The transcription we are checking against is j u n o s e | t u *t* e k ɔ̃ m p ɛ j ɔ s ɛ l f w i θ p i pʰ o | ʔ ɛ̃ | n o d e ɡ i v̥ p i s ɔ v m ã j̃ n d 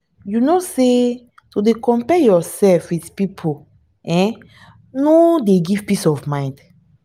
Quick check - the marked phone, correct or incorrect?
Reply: incorrect